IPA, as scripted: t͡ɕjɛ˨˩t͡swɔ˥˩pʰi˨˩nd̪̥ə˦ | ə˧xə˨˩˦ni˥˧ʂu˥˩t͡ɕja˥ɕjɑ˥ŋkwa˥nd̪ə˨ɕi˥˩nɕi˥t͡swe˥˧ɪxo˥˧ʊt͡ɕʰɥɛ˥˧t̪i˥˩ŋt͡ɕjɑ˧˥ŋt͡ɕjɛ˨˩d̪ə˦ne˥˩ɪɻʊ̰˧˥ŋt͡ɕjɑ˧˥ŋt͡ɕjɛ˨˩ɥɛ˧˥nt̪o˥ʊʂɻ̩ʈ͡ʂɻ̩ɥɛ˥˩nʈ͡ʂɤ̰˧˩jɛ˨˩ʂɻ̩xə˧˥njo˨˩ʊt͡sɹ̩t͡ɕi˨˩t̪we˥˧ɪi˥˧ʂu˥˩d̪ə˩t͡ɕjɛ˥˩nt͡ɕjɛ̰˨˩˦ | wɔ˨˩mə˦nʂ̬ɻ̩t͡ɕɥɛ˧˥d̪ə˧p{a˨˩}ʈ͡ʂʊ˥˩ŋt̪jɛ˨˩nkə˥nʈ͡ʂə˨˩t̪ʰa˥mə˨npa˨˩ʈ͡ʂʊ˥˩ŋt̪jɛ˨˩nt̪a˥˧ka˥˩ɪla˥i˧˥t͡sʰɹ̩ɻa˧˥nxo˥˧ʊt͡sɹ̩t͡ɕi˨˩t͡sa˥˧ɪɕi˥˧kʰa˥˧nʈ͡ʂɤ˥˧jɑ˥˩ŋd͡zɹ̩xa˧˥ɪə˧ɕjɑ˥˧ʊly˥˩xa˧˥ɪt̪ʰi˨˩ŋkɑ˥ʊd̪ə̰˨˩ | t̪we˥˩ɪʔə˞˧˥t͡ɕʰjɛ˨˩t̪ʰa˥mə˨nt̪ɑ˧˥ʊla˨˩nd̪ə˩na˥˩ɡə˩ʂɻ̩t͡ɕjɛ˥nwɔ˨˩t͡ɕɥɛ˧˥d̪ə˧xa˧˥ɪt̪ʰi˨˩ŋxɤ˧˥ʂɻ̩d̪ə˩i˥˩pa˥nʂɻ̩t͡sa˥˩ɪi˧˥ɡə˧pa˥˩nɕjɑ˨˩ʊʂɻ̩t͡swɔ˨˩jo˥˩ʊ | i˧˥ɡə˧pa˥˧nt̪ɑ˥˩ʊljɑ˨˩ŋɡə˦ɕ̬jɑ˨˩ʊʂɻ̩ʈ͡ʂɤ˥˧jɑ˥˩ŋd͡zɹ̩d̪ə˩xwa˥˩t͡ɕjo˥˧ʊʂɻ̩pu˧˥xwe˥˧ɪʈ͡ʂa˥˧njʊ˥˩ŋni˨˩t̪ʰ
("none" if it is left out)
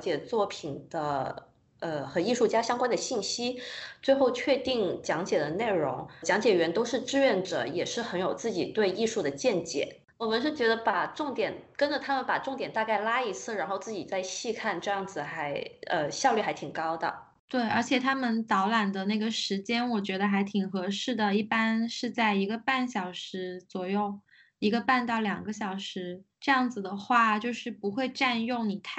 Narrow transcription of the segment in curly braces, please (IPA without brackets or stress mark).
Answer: a˨˩